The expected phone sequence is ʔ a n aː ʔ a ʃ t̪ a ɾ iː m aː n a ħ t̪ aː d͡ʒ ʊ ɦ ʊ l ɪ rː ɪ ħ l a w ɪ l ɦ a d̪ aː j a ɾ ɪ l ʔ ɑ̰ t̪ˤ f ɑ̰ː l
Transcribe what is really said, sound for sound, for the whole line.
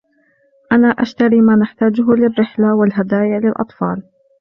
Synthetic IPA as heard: ʔ a n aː ʔ a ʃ t̪ a ɾ iː m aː n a ħ t̪ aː d͡ʒ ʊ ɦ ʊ l ɪ rː ɪ ħ l a w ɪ l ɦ a d̪ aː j a l ɪ l ʔ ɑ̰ t̪ˤ f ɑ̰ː l